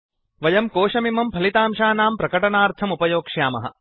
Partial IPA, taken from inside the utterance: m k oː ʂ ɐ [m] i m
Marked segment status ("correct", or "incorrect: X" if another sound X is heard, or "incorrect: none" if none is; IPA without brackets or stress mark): correct